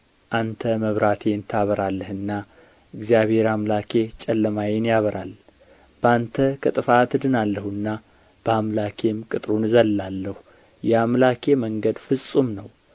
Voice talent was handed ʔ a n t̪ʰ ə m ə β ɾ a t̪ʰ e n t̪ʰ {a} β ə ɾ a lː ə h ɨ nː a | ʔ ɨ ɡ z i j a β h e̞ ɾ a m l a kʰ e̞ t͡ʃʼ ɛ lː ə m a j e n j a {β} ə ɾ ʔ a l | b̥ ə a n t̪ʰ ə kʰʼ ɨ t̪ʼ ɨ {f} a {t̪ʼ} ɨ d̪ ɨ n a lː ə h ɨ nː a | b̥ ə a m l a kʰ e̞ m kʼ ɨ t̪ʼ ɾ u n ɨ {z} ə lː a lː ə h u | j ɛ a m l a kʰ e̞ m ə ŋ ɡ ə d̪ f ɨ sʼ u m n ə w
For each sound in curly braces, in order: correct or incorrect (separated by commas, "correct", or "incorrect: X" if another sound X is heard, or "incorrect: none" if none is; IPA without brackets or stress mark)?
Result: correct, correct, correct, incorrect: t̪, correct